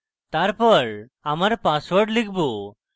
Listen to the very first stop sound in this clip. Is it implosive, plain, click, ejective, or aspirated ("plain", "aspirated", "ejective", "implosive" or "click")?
plain